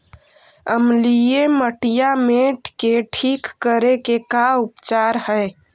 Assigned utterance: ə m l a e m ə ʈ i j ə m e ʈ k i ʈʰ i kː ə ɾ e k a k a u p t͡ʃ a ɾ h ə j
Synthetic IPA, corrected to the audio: ə m l i e m ə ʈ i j a m e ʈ k e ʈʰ i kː ə ɾ e k e k a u p t͡ʃ a ɾ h ə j